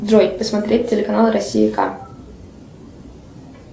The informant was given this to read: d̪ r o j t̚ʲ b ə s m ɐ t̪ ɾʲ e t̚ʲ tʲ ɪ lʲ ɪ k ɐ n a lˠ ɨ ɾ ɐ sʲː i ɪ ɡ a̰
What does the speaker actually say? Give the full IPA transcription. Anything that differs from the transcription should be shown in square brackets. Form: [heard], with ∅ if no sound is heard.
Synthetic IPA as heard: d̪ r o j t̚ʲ [p] ə s m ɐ t̪ ɾʲ e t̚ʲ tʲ ɪ lʲ ɪ k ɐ n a lˠ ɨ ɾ ɐ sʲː i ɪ [k] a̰